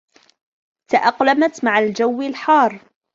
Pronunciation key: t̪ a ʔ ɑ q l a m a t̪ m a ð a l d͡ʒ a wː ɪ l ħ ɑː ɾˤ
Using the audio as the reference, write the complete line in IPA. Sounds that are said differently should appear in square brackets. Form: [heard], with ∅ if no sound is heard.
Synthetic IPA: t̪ a ʔ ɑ q l a m a t̪ m a [ʕ] a l d͡ʒ a wː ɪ l ħ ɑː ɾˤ